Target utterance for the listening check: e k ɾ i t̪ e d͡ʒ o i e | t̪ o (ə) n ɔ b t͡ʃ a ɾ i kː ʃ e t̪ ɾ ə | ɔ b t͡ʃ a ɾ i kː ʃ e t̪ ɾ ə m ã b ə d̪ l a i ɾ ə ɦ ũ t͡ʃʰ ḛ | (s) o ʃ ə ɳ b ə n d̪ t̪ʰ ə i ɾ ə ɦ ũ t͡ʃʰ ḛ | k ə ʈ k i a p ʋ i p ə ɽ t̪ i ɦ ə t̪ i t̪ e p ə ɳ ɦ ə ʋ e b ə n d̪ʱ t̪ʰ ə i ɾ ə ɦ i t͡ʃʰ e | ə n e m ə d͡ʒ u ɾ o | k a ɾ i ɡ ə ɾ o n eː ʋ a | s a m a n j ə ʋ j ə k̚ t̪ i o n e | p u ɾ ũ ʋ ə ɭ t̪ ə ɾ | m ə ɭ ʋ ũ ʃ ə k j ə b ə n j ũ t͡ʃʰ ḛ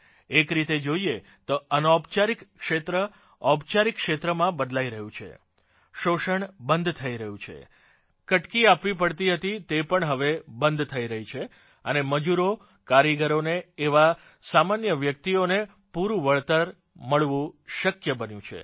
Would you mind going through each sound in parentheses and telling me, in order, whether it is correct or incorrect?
correct, incorrect: ʃ

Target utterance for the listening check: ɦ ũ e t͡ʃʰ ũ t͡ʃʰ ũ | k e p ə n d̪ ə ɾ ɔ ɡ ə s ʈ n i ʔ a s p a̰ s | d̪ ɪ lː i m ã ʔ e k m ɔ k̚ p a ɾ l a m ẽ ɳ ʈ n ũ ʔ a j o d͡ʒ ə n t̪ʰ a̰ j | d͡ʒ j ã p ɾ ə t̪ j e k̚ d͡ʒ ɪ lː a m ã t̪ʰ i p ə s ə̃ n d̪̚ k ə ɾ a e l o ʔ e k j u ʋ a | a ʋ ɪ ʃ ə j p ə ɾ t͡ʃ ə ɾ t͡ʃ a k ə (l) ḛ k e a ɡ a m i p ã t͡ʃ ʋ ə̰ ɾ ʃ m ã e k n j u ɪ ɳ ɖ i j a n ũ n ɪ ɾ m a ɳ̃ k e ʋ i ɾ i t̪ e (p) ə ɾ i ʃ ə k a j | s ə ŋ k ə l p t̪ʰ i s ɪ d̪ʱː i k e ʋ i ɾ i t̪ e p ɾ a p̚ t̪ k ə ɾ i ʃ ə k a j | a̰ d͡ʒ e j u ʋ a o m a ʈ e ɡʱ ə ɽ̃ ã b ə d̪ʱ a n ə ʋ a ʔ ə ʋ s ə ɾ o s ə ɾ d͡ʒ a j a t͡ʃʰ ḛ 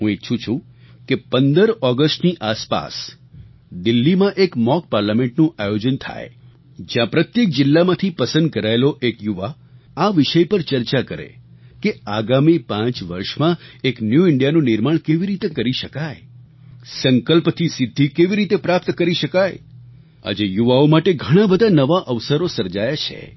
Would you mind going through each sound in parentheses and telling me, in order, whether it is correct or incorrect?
incorrect: ɾ, incorrect: k

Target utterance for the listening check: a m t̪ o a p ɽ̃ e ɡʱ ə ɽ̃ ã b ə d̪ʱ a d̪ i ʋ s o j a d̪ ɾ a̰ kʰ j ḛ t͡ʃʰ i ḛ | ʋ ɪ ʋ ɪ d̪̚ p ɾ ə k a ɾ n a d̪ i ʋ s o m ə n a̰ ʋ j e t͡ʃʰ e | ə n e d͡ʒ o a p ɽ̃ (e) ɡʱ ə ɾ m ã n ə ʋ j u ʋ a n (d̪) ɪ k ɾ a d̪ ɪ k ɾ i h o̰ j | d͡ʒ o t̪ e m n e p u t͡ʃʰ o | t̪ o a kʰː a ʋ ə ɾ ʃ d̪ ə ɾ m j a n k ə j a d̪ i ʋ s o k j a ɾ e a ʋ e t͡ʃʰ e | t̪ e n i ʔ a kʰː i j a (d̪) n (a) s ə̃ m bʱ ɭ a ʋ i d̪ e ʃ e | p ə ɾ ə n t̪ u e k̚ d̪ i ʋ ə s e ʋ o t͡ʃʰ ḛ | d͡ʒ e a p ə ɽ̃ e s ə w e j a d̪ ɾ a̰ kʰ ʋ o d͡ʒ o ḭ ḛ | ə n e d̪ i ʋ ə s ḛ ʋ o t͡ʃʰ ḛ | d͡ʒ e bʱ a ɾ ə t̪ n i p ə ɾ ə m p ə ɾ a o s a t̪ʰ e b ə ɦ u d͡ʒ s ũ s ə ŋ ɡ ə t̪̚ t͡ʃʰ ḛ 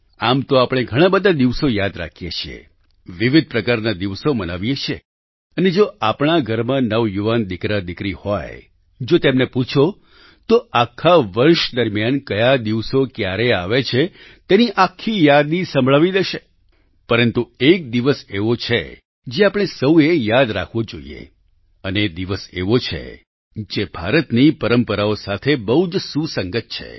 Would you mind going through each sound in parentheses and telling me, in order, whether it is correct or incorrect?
incorrect: a, correct, correct, incorrect: i

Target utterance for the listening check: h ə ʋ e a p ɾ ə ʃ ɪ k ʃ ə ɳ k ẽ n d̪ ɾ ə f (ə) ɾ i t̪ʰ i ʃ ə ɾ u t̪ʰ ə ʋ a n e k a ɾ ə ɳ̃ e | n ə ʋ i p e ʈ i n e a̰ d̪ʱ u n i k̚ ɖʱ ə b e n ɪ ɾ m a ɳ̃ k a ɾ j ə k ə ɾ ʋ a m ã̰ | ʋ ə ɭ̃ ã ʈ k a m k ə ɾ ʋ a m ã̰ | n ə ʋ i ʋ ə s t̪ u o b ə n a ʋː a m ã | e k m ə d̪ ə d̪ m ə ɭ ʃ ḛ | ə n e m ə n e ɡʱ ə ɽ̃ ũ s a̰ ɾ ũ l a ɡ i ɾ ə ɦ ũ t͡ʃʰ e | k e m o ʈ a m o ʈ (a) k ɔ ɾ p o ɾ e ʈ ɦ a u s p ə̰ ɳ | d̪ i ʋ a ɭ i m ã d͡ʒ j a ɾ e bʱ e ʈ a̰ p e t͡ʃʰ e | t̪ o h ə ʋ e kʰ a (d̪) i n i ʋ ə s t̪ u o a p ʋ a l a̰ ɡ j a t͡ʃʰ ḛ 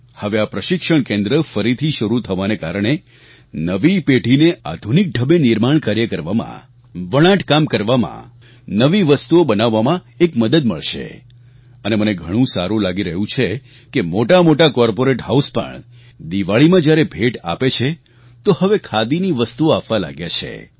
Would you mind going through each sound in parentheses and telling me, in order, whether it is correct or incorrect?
correct, correct, correct

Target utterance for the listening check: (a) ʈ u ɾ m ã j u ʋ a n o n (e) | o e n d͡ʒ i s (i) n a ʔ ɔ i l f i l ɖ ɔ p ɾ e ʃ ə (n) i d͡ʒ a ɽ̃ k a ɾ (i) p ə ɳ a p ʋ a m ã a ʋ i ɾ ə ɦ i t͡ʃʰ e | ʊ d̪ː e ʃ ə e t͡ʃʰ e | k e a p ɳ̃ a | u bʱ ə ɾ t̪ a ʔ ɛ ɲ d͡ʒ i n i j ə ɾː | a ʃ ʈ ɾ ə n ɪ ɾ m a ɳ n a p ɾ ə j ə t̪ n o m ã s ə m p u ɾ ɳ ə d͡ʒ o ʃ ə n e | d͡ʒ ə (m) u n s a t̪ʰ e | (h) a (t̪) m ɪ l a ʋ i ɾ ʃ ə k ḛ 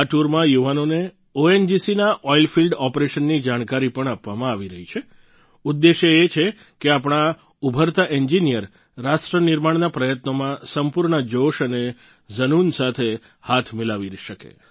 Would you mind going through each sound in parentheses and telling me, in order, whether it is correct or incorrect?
correct, correct, correct, incorrect: nː, correct, incorrect: n, correct, incorrect: t̪ʰ

